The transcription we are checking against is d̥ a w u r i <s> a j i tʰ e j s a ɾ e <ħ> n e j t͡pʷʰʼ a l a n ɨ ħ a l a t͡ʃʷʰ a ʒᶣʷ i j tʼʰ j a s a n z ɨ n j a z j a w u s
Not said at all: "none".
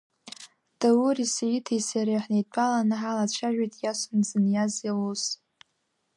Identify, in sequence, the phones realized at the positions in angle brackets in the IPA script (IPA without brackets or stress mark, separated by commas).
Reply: s, ħ